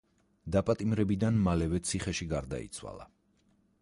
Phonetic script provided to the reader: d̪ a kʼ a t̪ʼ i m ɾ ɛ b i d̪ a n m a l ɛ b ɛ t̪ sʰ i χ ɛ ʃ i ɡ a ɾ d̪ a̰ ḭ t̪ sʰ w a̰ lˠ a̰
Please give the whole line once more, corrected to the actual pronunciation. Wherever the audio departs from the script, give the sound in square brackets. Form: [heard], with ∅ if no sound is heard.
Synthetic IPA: d̪ a [pʼ] a t̪ʼ i m ɾ ɛ b i d̪ a n m a l ɛ [v] ɛ t̪ sʰ i χ ɛ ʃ i ɡ a ɾ d̪ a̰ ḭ t̪ sʰ w a̰ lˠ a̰